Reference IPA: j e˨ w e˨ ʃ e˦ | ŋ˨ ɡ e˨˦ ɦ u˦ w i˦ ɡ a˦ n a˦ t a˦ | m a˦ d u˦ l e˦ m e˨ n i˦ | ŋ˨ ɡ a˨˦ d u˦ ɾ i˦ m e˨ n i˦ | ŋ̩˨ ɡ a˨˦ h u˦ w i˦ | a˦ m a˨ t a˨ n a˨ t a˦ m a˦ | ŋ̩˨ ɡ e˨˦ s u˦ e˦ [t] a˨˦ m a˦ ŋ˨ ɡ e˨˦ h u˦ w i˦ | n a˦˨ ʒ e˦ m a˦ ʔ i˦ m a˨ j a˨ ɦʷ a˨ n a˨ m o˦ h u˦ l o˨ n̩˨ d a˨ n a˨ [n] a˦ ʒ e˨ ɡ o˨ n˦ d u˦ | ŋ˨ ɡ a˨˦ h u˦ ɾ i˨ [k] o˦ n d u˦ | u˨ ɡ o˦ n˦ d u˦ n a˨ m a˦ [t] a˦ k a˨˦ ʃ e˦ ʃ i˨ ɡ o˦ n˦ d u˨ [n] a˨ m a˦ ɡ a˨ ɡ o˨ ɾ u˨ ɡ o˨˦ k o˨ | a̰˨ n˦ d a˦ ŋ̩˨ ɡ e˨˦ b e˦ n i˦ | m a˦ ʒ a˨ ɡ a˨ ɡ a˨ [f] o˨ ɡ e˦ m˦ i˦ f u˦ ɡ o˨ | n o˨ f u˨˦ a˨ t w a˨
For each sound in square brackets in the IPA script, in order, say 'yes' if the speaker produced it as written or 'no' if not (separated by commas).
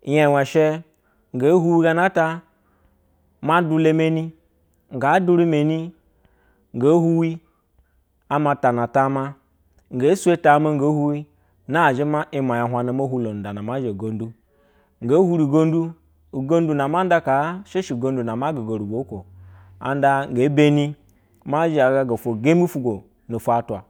yes, no, no, no, yes, yes